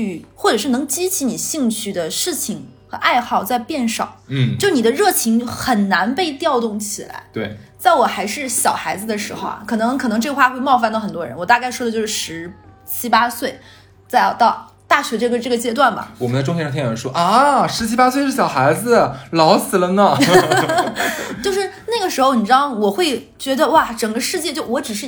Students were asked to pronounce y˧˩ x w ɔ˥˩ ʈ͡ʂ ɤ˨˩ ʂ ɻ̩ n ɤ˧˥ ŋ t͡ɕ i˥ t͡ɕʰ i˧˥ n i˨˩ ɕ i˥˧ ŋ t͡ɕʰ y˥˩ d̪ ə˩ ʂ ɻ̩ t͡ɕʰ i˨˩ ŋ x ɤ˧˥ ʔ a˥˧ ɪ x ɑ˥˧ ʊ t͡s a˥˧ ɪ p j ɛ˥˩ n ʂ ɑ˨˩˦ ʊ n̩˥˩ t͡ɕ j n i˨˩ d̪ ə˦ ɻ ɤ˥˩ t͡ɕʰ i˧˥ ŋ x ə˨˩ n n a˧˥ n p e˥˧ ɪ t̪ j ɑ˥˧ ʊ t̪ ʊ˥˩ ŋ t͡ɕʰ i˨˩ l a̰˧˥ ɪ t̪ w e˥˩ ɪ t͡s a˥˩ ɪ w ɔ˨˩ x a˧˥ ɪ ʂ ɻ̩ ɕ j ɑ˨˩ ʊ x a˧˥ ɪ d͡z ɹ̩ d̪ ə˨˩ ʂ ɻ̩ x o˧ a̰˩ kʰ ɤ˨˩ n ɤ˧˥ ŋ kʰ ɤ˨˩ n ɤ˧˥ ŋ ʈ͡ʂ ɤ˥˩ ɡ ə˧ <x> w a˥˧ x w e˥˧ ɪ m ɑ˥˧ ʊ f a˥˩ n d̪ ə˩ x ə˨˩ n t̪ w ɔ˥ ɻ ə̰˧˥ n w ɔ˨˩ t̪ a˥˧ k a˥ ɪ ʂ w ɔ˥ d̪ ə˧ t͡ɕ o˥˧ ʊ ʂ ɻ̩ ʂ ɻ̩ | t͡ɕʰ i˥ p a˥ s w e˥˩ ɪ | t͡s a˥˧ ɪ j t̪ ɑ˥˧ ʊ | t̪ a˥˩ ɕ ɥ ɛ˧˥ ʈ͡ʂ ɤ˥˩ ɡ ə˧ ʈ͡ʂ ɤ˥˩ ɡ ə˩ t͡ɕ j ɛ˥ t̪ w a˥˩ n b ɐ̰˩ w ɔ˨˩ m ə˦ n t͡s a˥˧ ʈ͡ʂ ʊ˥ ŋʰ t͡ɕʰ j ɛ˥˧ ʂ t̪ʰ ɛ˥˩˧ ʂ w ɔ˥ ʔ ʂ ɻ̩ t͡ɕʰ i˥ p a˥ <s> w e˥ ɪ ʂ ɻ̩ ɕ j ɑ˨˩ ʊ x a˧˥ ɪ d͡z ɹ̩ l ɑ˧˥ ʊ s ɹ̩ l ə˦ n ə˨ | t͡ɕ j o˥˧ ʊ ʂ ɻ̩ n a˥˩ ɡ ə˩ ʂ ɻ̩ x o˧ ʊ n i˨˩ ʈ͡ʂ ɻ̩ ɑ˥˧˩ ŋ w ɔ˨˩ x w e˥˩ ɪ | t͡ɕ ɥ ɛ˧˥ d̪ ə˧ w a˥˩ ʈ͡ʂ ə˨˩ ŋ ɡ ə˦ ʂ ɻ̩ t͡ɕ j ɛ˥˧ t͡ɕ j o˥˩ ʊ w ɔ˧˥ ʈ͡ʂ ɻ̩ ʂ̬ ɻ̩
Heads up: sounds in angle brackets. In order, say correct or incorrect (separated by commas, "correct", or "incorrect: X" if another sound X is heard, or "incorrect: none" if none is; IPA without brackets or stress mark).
correct, correct